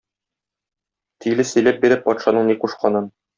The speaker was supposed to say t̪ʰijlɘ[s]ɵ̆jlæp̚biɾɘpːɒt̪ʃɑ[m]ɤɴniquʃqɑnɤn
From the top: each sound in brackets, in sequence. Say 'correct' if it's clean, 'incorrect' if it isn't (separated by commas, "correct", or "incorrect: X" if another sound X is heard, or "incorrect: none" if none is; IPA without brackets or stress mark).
correct, incorrect: n